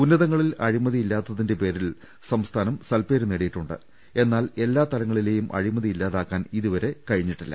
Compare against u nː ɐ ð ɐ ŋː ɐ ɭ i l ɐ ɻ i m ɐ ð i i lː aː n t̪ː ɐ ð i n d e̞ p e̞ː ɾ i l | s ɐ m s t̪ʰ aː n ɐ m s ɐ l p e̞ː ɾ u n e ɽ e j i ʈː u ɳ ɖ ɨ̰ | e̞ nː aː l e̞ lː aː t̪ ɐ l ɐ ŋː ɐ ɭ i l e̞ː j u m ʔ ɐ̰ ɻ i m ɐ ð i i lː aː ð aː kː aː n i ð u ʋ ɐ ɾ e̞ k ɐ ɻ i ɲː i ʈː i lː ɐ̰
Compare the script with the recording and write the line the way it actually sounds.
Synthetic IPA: u nː ɐ ð ɐ ŋː ɐ ɭ i l ɐ ɻ i m ɐ ð i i lː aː t̪ː ɐ ð i n d e̞ p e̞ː ɾ i l | s ɐ m s t̪ʰ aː n ɐ m s ɐ l p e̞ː ɾ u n e ɽ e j i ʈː u ɳ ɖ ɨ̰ | e̞ nː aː l e̞ lː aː t̪ ɐ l ɐ ŋː ɐ ɭ i l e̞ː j u m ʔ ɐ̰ ɻ i m ɐ ð i i lː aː ð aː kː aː n i ð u ʋ ɐ ɾ e̞ k ɐ ɻ i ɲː i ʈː i lː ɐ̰